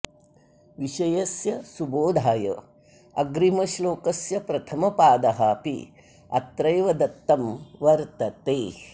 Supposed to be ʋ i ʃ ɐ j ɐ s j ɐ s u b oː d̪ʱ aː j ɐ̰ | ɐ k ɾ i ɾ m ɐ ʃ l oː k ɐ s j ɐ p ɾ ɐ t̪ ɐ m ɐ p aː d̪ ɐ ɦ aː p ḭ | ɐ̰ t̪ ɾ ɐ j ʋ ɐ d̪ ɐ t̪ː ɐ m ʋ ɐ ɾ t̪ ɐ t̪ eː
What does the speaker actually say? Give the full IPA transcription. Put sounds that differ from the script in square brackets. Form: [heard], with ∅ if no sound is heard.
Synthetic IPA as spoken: ʋ i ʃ ɐ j ɐ s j ɐ s u b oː d̪ʱ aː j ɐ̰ | ɐ [ɡ] ɾ i [∅] m ɐ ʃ l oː k ɐ s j ɐ p ɾ ɐ [t̪ʰ] ɐ m ɐ p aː d̪ ɐ ɦ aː p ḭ | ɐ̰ t̪ ɾ ɐ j ʋ ɐ d̪ ɐ t̪ː ɐ m ʋ ɐ ɾ t̪ ɐ t̪ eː